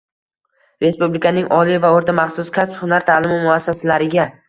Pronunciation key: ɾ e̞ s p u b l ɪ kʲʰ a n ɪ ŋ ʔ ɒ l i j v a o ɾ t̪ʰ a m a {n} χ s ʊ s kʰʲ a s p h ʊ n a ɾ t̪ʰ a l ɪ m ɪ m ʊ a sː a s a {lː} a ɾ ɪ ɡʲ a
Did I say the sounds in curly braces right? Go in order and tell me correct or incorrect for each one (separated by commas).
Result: incorrect, incorrect